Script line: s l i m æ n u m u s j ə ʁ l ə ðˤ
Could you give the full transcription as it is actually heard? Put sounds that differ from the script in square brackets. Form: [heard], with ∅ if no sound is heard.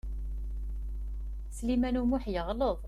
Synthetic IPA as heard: s l i m æ n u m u [ħ] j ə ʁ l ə ðˤ